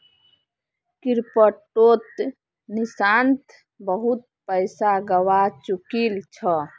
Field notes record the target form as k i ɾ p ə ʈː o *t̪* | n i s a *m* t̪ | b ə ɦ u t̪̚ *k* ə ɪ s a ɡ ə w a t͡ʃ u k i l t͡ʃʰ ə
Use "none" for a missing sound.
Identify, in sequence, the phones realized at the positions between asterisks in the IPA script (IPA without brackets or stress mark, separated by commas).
t̪, n, p